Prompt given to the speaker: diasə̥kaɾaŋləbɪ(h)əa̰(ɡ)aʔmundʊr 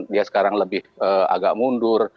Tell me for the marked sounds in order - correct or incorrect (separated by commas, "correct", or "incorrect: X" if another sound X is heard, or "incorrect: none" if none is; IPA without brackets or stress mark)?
correct, correct